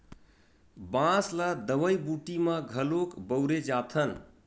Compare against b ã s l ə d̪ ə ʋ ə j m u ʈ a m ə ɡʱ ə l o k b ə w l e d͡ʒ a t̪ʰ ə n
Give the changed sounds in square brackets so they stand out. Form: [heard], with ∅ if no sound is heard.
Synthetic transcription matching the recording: b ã s l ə d̪ ə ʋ ə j [b] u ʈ [i] m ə ɡʱ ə l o k b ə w [ɾ] e d͡ʒ a t̪ʰ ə n